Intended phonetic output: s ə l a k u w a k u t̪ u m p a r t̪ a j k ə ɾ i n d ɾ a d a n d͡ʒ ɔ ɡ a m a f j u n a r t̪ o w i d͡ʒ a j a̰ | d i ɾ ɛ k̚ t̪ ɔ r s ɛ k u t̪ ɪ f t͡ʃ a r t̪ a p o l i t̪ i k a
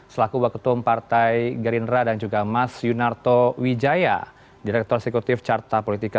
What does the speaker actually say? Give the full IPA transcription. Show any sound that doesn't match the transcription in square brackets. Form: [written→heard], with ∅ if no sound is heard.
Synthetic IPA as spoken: s ə l a k u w a k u t̪ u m p a r t̪ a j [k→ɡ] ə ɾ i n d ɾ a d a n d͡ʒ [ɔ→u] ɡ a m a [f→s] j u n a r t̪ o w i d͡ʒ a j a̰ | d i ɾ ɛ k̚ t̪ ɔ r s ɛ k u t̪ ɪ f t͡ʃ a r t̪ a p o l i t̪ i k a